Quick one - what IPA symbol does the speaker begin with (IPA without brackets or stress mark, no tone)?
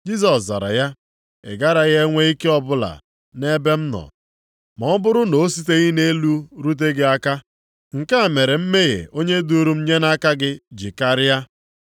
d͡ʒ